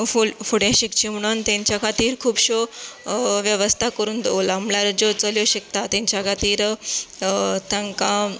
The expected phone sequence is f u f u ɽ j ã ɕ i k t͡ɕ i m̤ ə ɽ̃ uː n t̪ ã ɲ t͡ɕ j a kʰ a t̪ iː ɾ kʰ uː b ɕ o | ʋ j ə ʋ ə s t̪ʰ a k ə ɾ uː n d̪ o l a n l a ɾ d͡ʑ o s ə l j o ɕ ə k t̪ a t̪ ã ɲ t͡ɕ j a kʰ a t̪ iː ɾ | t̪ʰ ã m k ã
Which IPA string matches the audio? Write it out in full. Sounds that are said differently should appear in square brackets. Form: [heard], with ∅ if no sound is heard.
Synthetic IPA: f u f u ɽ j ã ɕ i k t͡ɕ i m̤ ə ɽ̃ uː n t̪ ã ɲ t͡ɕ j a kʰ a t̪ iː ɾ kʰ uː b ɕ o | ʋ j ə ʋ ə s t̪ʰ a k ə ɾ uː n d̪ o l a [m] l a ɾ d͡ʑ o [t͡s] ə l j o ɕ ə k t̪ a t̪ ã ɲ t͡ɕ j a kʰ a t̪ iː ɾ | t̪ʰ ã [ŋ] k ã